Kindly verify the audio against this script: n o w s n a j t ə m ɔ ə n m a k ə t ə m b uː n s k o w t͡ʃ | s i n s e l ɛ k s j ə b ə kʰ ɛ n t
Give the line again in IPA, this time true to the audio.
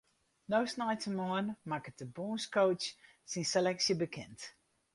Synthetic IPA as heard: n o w s n a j t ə m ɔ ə n m a k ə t ə b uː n s k o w t͡ʃ | s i n s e l ɛ k s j ə b ə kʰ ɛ n t